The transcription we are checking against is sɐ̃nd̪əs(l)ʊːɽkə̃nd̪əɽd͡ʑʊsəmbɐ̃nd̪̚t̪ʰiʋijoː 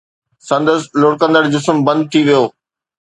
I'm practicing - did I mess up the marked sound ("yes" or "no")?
no